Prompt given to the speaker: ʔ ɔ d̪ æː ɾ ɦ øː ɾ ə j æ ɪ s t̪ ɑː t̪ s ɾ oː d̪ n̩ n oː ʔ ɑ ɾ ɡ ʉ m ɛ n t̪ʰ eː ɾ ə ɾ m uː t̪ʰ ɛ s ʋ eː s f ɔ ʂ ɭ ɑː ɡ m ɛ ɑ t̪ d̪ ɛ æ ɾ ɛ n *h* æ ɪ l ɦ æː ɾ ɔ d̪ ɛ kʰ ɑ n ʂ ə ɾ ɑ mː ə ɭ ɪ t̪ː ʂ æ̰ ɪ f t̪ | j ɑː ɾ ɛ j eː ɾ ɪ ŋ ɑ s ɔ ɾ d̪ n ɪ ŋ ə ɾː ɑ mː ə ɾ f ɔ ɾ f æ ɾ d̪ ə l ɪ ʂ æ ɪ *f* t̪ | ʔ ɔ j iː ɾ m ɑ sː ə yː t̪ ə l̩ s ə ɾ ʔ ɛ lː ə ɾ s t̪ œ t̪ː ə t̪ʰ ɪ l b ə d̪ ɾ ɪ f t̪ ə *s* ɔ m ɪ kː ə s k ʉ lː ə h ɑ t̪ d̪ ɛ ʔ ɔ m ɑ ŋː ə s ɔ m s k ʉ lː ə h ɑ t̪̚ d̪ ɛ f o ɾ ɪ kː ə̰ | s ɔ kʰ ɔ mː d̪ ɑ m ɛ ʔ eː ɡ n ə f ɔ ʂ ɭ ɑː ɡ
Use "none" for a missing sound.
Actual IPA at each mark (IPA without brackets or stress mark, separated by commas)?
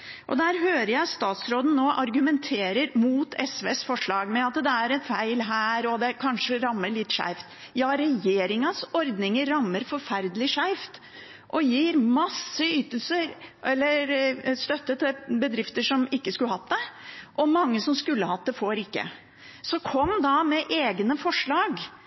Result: f, f, ʂ